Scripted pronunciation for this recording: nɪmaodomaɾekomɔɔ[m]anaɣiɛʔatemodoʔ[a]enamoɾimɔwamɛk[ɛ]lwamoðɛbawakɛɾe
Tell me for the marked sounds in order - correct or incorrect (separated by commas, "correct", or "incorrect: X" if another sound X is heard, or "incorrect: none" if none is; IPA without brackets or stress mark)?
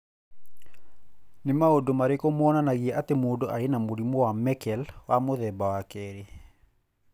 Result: incorrect: n, correct, correct